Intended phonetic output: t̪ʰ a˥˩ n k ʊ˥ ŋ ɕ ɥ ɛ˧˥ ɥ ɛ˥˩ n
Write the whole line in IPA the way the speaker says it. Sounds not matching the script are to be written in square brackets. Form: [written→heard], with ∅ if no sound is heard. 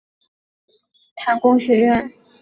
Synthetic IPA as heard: t̪ʰ [a˥˩→a˧˥] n k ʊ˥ ŋ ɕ ɥ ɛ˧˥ ɥ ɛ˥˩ n

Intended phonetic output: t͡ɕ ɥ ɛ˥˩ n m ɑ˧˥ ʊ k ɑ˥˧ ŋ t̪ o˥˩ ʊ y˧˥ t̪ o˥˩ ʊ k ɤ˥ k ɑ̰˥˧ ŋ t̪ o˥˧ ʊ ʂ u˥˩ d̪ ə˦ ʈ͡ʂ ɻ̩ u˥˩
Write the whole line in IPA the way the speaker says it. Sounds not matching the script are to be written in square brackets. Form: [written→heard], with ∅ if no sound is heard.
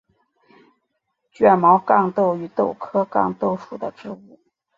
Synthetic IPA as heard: t͡ɕ ɥ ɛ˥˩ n m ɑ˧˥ ʊ k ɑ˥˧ ŋ t̪ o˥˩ ʊ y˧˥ t̪ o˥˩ ʊ [k→kʰ] ɤ˥ k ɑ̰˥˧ ŋ t̪ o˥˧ ʊ ʂ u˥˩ d̪ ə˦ ʈ͡ʂ ɻ̩ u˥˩

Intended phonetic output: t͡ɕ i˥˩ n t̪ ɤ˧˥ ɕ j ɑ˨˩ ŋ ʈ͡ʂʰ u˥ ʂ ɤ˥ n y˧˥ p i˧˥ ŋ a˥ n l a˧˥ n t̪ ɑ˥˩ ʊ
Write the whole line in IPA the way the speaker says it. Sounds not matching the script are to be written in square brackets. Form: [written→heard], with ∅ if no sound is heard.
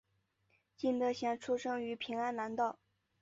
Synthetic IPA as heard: t͡ɕ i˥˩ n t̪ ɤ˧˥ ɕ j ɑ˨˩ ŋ ʈ͡ʂʰ u˥ ʂ ɤ˥ [n→ŋ] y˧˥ [p→pʰ] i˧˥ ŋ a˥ n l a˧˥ n t̪ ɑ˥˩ ʊ

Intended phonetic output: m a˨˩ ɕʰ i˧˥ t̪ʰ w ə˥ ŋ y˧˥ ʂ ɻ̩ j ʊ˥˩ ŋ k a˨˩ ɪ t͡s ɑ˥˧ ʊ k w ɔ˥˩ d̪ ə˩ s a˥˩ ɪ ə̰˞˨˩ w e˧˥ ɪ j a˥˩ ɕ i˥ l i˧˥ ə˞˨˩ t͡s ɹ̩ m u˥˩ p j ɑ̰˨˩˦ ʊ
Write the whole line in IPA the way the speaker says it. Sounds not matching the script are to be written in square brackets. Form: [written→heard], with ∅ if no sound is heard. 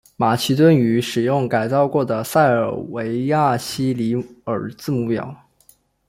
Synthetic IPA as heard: m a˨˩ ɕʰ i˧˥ [t̪ʰ→t̪] w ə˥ [ŋ→n] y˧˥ ʂ ɻ̩ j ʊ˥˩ ŋ k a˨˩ ɪ t͡s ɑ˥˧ ʊ k w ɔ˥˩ d̪ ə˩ s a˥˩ ɪ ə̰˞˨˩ w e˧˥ ɪ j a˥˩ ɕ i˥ l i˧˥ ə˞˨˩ t͡s ɹ̩ m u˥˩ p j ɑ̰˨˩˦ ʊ

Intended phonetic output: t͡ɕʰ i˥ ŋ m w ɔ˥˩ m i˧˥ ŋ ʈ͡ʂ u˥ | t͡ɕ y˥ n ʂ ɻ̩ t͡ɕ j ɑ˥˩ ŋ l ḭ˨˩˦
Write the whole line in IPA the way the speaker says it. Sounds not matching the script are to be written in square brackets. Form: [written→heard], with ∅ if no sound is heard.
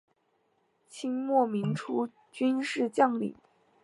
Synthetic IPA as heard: t͡ɕʰ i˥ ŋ m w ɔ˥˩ m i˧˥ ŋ [ʈ͡ʂ→ʈ͡ʂʰ] u˥ | t͡ɕ y˥ n ʂ ɻ̩ t͡ɕ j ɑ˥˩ ŋ l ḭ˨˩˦

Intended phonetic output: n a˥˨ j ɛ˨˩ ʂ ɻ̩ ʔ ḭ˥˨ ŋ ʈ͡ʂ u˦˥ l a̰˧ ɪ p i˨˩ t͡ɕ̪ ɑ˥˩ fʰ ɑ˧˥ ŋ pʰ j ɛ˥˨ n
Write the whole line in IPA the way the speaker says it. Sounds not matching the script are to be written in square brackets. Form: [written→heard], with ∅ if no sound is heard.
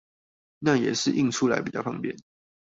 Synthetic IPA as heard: n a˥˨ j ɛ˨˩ ʂ ɻ̩ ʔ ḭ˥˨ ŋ [ʈ͡ʂ→ʈ͡ʂʰ] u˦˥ l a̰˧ ɪ p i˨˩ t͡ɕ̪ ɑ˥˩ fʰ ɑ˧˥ ŋ [pʰ→p] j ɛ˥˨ n

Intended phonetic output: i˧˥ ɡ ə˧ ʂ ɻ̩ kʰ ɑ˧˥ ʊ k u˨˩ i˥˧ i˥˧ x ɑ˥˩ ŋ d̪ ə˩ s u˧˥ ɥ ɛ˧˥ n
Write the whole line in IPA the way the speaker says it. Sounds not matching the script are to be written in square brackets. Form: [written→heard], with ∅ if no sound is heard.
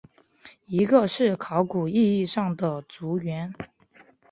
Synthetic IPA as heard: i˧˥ ɡ ə˧ ʂ ɻ̩ kʰ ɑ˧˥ ʊ k u˨˩ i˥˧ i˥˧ [x→ʂ] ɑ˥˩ ŋ d̪ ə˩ [s→t͡s] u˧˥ ɥ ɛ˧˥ n

